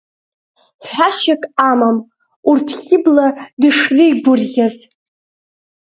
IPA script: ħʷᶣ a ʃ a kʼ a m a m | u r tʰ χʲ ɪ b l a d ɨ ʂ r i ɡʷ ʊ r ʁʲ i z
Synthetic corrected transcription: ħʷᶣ a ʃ a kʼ a m a m | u r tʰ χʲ ɪ b l a d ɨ ʂ r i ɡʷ ʊ r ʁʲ a z